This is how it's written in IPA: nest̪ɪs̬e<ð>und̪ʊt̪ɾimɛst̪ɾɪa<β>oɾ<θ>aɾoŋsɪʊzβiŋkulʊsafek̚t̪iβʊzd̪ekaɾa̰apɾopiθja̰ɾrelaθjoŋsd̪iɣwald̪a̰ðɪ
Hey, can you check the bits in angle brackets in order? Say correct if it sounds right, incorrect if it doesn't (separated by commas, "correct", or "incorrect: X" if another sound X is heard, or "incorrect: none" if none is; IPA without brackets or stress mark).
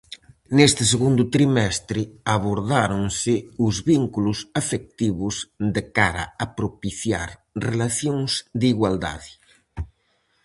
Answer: incorrect: ɣ, correct, incorrect: ð